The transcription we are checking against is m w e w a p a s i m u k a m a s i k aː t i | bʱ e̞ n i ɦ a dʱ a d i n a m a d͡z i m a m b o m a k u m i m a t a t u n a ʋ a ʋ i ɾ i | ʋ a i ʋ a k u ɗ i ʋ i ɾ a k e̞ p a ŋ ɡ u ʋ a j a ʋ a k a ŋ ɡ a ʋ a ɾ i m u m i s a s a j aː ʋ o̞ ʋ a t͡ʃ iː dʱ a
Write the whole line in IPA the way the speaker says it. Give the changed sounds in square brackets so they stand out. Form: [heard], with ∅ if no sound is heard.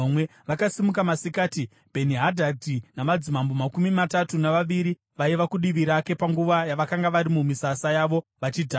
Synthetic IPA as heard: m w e [ʋ] a [k] a s i m u k a m a s i k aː t i | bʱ e̞ n i ɦ a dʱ a d i n a m a d͡z i m a m b o m a k u m i m a t a t u n a ʋ a ʋ i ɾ i | ʋ a i ʋ a k u ɗ i ʋ i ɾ a k e̞ p a ŋ ɡ u ʋ a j a ʋ a k a ŋ ɡ a ʋ a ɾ i m u m i s a s a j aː ʋ o̞ ʋ a t͡ʃ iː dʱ a